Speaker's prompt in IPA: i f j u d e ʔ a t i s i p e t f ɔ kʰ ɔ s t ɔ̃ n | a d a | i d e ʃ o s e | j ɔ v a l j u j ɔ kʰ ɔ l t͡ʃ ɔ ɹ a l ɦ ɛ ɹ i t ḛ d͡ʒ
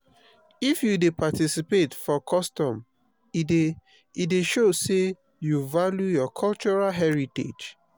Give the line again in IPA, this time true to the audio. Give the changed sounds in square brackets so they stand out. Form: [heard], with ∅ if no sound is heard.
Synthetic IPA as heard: i f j u d e [p] a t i s i p e t f ɔ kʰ ɔ s t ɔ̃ [m] | [i] d [e] | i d e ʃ o s e | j [u] v a l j u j ɔ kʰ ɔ l t͡ʃ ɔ ɹ a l ɦ ɛ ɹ i t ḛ d͡ʒ